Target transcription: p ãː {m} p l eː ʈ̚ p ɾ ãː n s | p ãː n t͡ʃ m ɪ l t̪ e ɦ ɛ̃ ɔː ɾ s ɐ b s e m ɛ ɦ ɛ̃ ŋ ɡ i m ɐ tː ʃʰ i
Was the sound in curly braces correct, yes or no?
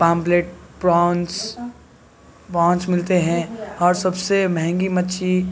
yes